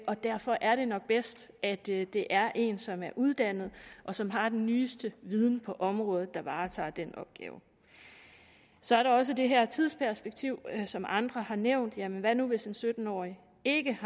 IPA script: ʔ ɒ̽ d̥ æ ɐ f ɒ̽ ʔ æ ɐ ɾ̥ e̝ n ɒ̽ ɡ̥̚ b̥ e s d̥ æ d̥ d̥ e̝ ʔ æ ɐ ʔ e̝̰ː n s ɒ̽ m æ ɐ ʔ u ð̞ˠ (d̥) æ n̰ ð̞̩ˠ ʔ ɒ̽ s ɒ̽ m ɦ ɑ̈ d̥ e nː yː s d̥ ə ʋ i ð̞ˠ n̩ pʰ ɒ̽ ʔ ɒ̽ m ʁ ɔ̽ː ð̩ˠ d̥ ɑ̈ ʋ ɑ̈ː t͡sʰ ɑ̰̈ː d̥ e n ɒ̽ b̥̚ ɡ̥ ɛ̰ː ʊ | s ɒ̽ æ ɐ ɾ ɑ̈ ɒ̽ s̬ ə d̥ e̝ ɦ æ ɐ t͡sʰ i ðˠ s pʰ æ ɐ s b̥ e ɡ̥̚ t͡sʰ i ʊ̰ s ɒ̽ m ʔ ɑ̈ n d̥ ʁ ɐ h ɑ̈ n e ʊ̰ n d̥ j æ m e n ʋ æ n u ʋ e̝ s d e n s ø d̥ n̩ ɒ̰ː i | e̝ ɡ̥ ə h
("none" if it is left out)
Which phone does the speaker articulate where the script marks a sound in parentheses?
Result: d̥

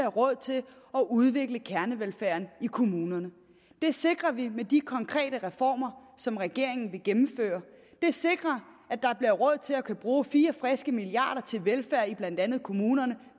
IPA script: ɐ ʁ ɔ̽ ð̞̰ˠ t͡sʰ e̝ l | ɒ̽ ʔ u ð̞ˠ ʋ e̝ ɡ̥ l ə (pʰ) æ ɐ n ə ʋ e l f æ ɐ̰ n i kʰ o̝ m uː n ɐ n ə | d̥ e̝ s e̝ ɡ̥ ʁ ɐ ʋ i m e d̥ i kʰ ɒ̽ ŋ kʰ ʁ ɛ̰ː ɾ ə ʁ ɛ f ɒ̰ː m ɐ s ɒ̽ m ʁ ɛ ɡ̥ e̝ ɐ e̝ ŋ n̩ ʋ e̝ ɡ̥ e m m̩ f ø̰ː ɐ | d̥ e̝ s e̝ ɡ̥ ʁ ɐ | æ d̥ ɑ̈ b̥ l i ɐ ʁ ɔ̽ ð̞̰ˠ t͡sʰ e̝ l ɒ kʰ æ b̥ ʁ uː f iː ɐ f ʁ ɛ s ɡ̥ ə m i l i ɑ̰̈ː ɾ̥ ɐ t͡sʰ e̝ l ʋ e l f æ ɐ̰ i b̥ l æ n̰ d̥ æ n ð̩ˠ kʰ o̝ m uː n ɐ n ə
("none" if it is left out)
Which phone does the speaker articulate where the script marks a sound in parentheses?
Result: kʰ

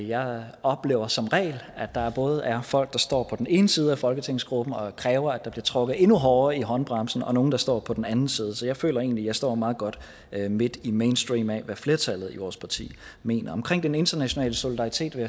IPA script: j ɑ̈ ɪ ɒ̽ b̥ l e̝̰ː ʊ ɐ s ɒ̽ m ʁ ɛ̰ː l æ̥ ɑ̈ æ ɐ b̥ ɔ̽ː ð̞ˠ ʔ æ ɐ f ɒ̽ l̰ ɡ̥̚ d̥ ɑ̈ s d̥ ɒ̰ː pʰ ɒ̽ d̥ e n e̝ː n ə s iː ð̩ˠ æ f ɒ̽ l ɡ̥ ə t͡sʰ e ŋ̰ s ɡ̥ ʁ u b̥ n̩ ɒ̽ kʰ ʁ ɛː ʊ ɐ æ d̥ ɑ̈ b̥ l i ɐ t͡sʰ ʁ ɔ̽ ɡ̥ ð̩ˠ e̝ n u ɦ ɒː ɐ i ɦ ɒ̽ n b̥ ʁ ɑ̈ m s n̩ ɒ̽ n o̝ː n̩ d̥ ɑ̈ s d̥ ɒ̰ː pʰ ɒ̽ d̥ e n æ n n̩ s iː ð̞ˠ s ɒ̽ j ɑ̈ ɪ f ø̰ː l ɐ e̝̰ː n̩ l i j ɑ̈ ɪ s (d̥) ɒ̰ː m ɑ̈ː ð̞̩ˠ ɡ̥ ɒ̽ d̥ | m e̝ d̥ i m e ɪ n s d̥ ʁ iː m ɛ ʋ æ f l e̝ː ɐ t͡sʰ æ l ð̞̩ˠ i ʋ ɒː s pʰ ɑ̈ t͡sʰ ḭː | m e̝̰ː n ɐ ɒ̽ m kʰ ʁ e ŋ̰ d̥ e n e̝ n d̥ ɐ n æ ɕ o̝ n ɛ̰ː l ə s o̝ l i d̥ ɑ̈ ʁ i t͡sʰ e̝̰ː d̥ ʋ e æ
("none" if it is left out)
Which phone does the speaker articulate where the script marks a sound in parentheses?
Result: d̥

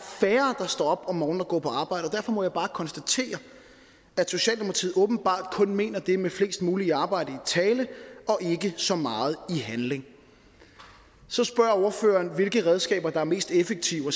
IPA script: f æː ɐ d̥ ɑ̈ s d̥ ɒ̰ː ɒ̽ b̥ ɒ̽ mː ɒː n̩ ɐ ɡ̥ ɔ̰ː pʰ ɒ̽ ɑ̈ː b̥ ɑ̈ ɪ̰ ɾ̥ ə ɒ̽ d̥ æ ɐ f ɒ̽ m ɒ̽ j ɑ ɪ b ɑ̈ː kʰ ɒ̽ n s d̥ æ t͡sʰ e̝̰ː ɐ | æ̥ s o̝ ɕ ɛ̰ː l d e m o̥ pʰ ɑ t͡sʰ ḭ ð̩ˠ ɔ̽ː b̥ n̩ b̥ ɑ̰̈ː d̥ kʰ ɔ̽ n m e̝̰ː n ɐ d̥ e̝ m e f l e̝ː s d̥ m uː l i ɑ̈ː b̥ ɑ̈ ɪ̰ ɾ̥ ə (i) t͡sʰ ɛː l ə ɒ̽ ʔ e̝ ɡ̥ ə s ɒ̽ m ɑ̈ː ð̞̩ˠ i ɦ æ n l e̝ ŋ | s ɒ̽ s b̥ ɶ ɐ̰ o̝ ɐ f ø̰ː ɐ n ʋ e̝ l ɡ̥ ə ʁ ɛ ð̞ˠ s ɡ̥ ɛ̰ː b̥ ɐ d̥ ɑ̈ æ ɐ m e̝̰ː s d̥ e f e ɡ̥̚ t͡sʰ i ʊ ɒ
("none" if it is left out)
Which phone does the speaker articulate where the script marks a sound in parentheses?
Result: i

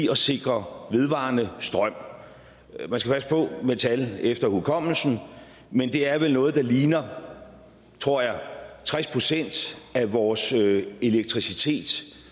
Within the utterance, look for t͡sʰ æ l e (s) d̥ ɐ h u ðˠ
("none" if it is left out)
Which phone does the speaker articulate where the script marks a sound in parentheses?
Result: f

